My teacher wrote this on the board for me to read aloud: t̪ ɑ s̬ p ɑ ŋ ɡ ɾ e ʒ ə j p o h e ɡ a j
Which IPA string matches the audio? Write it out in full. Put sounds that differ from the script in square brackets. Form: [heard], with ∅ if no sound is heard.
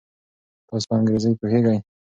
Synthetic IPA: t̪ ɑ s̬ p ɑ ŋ ɡ ɾ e [z] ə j p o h e ɡ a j

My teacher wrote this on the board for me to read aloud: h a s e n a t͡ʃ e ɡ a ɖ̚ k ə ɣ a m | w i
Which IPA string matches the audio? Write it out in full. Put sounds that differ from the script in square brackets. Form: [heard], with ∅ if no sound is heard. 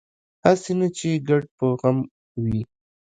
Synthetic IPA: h a s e n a t͡ʃ e ɡ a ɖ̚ [p] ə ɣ a m | w i

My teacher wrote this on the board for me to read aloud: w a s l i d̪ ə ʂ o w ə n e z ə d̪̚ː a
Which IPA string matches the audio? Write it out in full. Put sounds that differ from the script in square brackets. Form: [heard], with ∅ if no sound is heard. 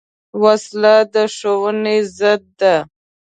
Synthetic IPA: w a s l [a] d̪ ə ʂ o w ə n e z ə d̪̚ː a

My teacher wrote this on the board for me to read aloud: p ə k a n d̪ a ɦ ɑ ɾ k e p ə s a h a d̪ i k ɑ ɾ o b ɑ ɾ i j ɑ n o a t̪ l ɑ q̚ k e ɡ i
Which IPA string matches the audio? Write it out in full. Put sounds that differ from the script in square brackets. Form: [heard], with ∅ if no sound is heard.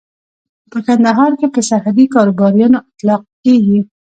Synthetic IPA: p ə k a n d̪ a ɦ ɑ ɾ k e p ə s a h a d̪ i k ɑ ɾ o b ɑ ɾ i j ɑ n o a t̪ l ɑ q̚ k e ɡ i

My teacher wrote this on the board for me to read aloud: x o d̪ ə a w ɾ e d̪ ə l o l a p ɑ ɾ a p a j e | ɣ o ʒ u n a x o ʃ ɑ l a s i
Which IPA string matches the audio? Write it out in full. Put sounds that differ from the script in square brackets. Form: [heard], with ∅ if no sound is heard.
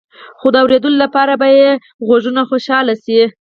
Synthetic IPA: x o d̪ ə a w ɾ e d̪ ə l o l a p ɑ ɾ a [b] a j e | ɣ o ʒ u n a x o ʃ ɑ l a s i

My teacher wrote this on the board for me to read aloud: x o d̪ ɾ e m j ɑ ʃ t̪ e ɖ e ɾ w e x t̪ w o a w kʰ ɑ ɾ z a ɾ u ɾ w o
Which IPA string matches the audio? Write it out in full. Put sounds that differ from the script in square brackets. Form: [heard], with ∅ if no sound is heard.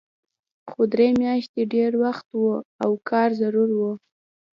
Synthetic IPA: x o d̪ ɾ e m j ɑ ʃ t̪ e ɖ e ɾ w [a] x t̪ w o a w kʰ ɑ ɾ z a ɾ u ɾ w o

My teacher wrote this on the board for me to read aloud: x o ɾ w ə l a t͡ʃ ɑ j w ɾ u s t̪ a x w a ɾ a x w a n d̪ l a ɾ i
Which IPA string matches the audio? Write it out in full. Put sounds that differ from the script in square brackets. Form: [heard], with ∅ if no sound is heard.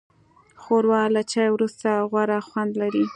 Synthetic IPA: x o ɾ w [ɑ] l a t͡ʃ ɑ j w ɾ u s t̪ a [ɣ] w a ɾ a x w a n d̪ l a ɾ i

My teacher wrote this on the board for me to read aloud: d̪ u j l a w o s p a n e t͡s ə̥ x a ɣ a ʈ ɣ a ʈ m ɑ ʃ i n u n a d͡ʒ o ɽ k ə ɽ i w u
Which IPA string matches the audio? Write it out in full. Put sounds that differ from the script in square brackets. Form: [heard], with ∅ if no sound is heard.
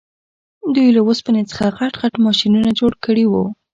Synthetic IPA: d̪ u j l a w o s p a n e t͡s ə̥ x a ɣ a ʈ ɣ a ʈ m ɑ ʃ i n u n a d͡ʒ o ɽ k ə ɽ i w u

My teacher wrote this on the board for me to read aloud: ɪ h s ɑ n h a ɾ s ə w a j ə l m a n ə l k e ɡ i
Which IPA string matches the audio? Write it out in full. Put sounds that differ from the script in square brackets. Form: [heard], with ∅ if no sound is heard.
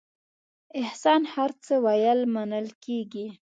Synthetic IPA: ɪ h s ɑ n h a ɾ [t͡s] ə w a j ə l m a n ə l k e ɡ i

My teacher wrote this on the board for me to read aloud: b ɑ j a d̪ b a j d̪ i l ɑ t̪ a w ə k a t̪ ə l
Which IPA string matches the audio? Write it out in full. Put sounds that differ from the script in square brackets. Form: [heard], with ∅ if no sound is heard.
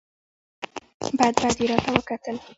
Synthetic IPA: b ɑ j a d̪ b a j d̪ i [ɾ] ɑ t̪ a w ə k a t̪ ə l

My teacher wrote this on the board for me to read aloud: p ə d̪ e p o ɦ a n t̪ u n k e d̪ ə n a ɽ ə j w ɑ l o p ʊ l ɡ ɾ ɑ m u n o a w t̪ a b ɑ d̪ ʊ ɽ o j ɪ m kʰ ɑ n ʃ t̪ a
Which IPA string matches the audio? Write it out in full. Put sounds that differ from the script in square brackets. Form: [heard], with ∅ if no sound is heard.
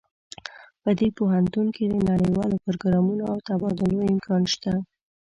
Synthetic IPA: p ə d̪ e p o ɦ a n t̪ u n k e d̪ ə n a ɽ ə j w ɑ l o p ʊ [ɾ] ɡ ɾ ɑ m u n o a w t̪ a b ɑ d̪ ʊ [l] o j ɪ m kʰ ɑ n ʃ t̪ a

